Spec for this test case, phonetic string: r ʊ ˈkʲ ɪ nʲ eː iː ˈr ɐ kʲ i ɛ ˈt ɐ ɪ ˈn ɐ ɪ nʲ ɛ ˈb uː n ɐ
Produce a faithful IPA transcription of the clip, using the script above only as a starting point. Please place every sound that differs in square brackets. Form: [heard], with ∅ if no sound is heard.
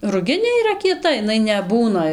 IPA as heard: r ʊ [ˈɡʲ] ɪ nʲ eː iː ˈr ɐ kʲ i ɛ ˈt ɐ ɪ ˈn ɐ ɪ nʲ ɛ ˈb uː n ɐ